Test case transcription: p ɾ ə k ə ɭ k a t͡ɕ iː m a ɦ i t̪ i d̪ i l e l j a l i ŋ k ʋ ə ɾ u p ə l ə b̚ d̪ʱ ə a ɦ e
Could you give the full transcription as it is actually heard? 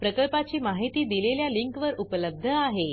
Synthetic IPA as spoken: p ɾ ə k ə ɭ p a t͡ɕ iː m a ɦ i t̪ iː d̪ i l e l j a l i ŋ k ʋ ə ɾ u p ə l ə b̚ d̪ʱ ə a ɦ e

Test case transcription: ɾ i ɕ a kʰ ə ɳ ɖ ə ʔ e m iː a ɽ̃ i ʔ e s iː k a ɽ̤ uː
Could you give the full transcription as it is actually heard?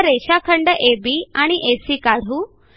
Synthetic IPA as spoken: ɾ e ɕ a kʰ ə ɳ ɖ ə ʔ e b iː a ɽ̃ i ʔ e s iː k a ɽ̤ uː

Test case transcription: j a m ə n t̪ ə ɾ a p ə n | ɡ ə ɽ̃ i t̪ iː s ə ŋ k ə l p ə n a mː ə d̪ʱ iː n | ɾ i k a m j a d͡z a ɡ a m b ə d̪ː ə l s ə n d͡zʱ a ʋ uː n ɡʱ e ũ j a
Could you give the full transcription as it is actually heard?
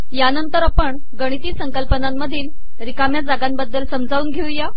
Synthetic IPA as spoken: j a n ə n t̪ ə ɾ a p ə ɳ | ɡ ə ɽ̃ i t̪ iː s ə ŋ k ə l p ə n a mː ə d̪ʱ iː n | ɾ i k a m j a d͡z a ɡ a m b ə d̪ː ə l s ə m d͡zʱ a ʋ uː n ɡʱ e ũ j a

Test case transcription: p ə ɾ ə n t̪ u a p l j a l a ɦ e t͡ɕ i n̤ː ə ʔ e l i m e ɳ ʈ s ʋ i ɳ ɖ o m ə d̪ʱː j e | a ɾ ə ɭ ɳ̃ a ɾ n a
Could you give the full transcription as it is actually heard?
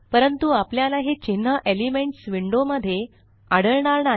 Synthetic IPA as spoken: p ə ɾ ə n t̪ u a p l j a l a ɦ e t͡ɕ i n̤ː ə ʔ e l i m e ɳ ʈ s ʋ i ɳ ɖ o m ə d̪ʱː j e | a ɽ ə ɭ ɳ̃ a ɾ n a

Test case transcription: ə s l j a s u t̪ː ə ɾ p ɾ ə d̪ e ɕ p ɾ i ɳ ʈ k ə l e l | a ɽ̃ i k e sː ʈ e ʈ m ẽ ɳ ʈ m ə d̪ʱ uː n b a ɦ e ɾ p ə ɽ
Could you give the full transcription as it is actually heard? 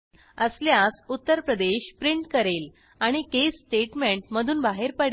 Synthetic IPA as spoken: ə s l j a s u t̪ː ə ɾ p ɾ ə d̪ e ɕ p ɾ i ɳ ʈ k ə ɾ e l | a ɽ̃ i k e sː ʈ e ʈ m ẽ ɳ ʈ m ə d̪ʱ uː n b a ɦ e ɾ p ə ɽ

